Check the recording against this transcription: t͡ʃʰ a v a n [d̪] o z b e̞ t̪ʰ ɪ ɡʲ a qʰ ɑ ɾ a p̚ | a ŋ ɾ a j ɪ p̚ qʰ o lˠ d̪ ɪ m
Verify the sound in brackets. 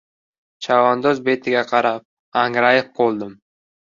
correct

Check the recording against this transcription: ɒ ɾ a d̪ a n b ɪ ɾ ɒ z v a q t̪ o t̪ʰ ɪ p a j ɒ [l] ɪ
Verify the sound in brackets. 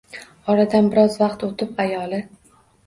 correct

